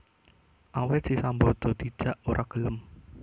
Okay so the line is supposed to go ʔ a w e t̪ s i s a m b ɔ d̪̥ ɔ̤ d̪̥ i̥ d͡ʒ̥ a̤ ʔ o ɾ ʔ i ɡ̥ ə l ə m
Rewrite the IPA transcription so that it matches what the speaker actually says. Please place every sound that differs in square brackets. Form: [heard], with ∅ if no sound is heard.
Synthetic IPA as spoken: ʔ a w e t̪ s i s a m b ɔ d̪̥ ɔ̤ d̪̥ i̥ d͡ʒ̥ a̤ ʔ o ɾ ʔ [a] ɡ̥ ə l ə m